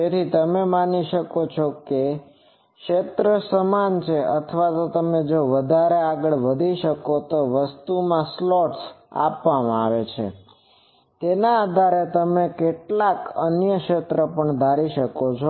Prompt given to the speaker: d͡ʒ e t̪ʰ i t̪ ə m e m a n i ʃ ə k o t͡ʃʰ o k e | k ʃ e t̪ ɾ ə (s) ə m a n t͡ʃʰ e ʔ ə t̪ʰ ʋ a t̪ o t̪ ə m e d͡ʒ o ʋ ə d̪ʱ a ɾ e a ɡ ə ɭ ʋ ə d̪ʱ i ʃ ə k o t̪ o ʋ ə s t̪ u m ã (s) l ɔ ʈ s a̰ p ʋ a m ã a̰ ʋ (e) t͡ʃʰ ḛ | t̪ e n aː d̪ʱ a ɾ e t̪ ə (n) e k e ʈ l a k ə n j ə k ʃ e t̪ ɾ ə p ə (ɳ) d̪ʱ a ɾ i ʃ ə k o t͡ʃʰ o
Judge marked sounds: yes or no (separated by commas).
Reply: yes, yes, yes, no, yes